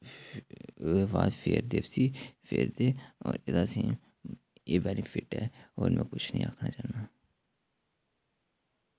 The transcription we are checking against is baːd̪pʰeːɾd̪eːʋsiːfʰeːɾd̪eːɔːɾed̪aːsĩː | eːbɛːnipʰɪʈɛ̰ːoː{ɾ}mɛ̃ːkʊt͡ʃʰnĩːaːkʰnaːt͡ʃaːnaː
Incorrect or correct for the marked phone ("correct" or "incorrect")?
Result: correct